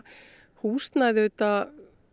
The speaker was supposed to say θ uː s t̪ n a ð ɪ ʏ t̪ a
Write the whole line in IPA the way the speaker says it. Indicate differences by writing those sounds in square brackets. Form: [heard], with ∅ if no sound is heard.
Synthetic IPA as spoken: [h] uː s t̪ n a ð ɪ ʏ t̪ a